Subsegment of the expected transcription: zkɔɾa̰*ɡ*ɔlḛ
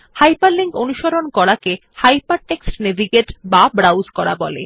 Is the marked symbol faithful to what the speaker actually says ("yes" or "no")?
no